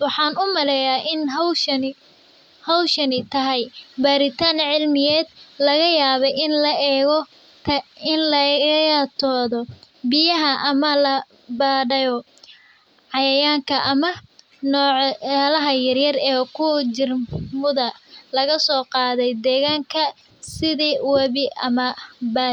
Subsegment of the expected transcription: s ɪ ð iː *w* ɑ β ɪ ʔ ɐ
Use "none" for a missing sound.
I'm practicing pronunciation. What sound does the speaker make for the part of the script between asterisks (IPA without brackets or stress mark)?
w